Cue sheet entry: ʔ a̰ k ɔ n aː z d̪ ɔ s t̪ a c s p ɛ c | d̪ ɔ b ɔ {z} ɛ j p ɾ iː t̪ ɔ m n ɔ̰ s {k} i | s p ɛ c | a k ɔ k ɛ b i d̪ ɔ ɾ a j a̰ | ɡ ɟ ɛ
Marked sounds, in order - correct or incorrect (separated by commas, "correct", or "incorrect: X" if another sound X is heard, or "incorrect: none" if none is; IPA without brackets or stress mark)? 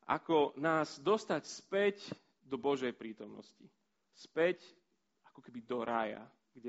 incorrect: ʒ, incorrect: c